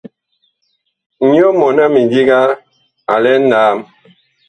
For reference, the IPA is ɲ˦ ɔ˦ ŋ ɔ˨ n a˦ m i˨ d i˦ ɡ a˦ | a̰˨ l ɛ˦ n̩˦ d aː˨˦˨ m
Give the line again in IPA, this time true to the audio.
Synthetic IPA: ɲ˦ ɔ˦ m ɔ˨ n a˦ m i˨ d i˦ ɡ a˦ | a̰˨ l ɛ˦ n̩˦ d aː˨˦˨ m